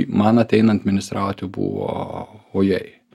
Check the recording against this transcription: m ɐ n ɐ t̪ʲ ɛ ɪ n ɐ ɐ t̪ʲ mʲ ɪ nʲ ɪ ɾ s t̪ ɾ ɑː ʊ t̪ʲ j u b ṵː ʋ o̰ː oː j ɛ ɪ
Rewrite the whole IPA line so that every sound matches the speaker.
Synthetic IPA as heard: m ɐ n ɐ t̪ʲ ɛ ɪ n ɐ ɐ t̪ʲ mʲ ɪ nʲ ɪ s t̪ ɾ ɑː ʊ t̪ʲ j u b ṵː ʋ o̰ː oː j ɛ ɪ